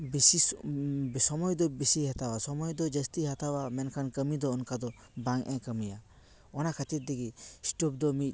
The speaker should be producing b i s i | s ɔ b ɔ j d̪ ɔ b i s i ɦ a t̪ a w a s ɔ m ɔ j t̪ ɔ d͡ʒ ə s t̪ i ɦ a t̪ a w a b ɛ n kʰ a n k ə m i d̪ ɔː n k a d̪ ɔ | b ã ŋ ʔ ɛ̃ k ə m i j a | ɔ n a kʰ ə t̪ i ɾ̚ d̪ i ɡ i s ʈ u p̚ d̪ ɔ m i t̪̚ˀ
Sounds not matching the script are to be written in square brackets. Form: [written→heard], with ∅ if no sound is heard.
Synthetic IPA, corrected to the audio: b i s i | s ɔ [b→m] ɔ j d̪ ɔ b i s i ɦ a t̪ a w a s ɔ m ɔ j [t̪→d̪] ɔ d͡ʒ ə s t̪ i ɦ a t̪ a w a [b→m] ɛ n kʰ a n k ə m i d̪ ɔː n k a d̪ ɔ | b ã ŋ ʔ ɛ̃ k ə m i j a | ɔ n a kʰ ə t̪ i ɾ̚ d̪ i ɡ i s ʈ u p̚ d̪ ɔ m i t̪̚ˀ